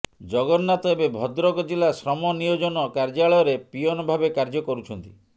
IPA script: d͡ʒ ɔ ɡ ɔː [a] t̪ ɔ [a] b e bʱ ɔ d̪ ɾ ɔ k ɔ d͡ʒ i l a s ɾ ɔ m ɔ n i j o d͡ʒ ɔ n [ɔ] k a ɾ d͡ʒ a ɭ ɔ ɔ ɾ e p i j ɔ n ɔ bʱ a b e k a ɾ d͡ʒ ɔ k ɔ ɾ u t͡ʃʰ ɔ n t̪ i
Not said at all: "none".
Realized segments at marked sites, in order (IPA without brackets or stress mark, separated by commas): a, e, ɔ